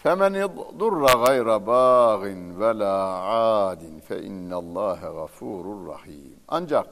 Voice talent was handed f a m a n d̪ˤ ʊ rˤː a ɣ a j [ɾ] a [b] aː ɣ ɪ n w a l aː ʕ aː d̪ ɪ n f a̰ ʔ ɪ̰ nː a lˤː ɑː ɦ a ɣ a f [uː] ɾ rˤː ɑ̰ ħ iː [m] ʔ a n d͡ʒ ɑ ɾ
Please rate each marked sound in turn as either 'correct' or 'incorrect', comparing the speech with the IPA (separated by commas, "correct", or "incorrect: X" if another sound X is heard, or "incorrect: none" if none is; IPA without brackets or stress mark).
correct, correct, correct, correct